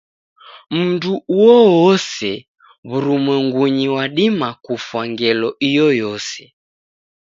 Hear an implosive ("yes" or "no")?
yes